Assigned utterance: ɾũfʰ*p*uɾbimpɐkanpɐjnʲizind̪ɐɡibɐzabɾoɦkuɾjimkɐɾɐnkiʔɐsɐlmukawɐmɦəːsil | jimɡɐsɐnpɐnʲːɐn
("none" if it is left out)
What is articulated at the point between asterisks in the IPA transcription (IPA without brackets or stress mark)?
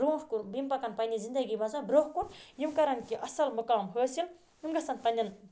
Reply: k